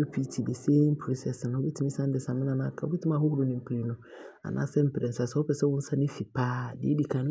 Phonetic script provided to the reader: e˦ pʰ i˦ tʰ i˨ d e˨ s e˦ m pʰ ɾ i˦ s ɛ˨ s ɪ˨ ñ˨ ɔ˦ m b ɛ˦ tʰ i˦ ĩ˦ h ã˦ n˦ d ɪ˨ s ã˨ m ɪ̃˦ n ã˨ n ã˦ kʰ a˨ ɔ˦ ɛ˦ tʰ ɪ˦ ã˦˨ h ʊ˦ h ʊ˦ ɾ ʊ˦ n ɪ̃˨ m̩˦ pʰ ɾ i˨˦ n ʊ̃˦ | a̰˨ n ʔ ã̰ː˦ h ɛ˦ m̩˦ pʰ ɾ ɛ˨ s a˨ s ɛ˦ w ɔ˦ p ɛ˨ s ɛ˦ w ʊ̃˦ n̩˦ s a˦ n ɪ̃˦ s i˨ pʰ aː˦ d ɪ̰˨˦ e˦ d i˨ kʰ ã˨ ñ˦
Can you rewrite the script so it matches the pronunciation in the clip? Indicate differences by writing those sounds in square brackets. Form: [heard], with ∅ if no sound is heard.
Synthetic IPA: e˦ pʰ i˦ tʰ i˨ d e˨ s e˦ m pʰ ɾ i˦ s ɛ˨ s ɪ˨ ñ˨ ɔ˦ [∅] b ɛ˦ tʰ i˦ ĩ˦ [s] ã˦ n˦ d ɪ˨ s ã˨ m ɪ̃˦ n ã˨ n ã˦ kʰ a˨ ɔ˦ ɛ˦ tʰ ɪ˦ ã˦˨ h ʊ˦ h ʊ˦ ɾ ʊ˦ n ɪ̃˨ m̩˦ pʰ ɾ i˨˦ n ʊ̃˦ | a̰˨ n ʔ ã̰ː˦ [s] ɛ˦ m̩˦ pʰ ɾ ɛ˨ s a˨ s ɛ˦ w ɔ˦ p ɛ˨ s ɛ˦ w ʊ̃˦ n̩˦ s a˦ n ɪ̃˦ [f] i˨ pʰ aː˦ d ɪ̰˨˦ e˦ d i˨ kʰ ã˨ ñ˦